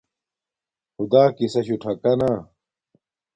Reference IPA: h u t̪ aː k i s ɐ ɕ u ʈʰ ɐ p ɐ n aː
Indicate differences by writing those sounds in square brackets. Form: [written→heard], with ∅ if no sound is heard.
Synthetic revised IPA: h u [t̪→d̪] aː k i s ɐ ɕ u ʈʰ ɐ [p→k] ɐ n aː